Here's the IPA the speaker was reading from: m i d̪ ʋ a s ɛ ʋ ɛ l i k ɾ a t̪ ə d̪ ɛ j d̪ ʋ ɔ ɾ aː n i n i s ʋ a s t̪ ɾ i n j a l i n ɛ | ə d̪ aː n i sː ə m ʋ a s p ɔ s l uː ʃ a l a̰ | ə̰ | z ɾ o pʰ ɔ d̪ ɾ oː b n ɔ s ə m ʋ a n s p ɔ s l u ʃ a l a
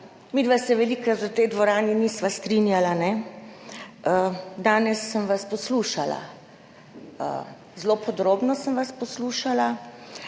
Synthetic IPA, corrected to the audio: m i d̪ ʋ a s ɛ ʋ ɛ l i k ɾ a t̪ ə t̪ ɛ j d̪ ʋ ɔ ɾ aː n i n i s ʋ a s t̪ ɾ i n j a l a n ɛ | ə d̪ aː n ɛ sː ə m ʋ a s p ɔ s l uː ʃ a l a̰ | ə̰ | z l o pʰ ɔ d̪ ɾ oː b n ɔ s ə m ʋ a s p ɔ s l u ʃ a l a

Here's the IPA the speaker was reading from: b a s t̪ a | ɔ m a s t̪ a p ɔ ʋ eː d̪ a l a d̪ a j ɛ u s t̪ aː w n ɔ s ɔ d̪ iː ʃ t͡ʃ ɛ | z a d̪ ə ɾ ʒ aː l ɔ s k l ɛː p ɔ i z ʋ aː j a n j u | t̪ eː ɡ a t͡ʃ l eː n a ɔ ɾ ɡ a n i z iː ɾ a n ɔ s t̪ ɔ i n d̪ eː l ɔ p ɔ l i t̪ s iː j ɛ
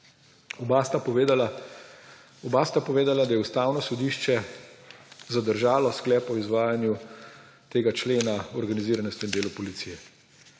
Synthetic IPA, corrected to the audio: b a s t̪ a | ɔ b a s t̪ a p ɔ ʋ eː d̪ a l a d̪ a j ɛ u s t̪ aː w n ɔ s ɔ d̪ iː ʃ t͡ʃ ɛ | z a d̪ ə ɾ ʒ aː l ɔ s k l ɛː p ɔ i z ʋ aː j a n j u | t̪ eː ɡ a t͡ʃ l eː n a ɔ ɾ ɡ a n i z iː ɾ a n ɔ s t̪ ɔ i n d̪ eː l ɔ p ɔ l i t̪ s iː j ɛ

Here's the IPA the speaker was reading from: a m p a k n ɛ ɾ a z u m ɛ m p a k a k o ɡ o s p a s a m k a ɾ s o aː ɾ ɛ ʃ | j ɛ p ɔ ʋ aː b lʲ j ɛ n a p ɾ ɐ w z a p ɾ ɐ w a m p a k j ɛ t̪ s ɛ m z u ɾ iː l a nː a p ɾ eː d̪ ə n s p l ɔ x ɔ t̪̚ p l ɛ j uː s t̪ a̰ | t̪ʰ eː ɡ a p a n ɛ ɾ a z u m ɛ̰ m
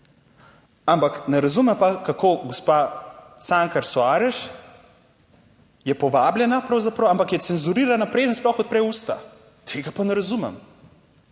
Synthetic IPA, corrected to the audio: a m p a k n ɛ ɾ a z u m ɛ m p a k a k o ɡ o s p a s a ŋ k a ɾ s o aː ɾ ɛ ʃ | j ɛ p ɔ ʋ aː b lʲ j ɛ n a p ɾ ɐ w z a p ɾ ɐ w a m p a k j ɛ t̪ s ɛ n z u ɾ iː ɾ a n a p ɾ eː d̪ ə n s p l ɔ x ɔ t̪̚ p ɾ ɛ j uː s t̪ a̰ | t̪ʰ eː ɡ a p a n ɛ ɾ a z u m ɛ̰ m

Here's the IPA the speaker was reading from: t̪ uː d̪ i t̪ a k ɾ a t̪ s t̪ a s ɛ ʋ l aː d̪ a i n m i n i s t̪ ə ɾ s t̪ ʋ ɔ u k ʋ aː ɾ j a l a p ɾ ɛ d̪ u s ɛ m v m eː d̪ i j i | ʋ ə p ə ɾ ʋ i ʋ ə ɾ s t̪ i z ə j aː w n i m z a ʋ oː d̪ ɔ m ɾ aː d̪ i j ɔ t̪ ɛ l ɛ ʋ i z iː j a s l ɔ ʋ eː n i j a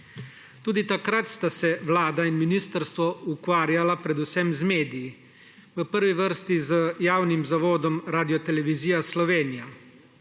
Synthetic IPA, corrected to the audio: t̪ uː d̪ i t̪ a k ɾ a t̪ s t̪ a s ɛ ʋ l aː d̪ a i n m i n i s t̪ ə ɾ s t̪ ʋ ɔ u k ʋ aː ɾ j a l a p ɾ ɛ d̪ u s ɛ m z m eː d̪ i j i | ʋ ə p ə ɾ ʋ i ʋ ə ɾ s t̪ i z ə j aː w n i m z a ʋ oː d̪ ɔ m ɾ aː d̪ i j ɔ t̪ ɛ l ɛ ʋ i z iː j a s l ɔ ʋ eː n i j a

